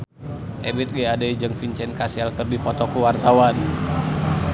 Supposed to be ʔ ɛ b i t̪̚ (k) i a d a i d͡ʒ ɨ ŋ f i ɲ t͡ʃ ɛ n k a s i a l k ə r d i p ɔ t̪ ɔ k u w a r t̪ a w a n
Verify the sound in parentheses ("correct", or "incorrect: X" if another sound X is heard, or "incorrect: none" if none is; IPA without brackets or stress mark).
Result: incorrect: ɡ